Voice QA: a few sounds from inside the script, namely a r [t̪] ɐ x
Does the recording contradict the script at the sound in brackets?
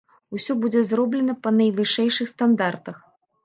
no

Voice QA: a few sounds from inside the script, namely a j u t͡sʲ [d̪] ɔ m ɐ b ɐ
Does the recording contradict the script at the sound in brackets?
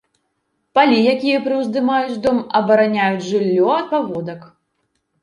no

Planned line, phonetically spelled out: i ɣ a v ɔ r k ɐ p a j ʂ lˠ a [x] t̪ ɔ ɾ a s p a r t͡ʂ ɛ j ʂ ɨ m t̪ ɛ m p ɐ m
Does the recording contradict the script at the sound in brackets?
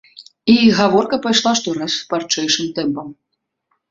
yes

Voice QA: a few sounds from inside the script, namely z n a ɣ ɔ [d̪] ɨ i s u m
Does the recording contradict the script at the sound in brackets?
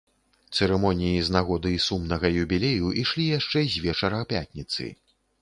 no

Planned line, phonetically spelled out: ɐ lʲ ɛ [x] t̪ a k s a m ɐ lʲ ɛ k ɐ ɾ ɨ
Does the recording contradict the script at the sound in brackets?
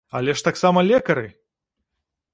yes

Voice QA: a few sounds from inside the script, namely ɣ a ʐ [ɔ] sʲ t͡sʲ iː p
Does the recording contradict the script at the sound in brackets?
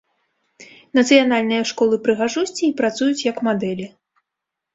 yes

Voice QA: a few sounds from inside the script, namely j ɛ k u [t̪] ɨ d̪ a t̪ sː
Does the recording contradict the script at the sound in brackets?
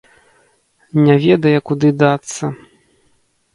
yes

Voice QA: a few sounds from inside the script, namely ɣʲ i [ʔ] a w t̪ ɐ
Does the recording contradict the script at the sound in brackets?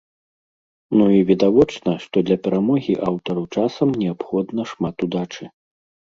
no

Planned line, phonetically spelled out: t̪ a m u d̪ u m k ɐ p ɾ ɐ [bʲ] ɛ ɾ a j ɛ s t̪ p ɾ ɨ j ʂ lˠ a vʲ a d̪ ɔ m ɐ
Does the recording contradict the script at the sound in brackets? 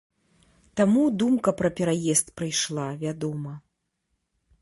yes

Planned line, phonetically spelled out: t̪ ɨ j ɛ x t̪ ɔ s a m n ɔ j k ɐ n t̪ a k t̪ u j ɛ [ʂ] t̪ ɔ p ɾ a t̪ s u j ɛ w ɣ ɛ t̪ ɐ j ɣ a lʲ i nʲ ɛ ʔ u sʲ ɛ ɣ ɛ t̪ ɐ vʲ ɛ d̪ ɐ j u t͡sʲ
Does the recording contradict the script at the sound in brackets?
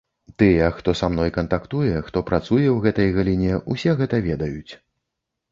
yes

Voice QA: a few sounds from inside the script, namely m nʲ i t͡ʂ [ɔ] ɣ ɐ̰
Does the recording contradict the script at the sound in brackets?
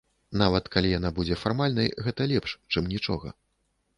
no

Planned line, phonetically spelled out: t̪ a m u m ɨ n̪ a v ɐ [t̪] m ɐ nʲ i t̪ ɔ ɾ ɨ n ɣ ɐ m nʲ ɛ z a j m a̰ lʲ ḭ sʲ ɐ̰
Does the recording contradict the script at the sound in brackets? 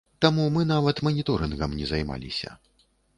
no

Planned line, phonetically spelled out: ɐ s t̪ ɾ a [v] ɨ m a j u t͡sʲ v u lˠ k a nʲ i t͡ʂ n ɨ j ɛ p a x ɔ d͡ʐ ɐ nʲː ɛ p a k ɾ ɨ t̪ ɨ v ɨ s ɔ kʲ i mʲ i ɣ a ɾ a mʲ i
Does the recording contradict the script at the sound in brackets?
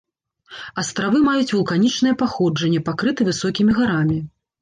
no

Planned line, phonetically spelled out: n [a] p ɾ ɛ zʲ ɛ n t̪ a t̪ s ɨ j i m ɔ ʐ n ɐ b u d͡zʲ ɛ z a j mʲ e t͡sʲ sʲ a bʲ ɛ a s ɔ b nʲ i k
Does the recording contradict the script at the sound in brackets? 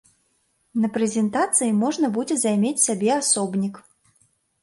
yes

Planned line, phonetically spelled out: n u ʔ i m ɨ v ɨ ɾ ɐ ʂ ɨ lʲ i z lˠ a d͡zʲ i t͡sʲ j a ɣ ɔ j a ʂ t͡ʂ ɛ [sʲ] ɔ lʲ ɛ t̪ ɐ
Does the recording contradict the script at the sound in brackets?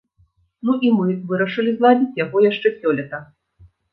no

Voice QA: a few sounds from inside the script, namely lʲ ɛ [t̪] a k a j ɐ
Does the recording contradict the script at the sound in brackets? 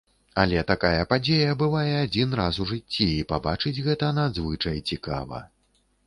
no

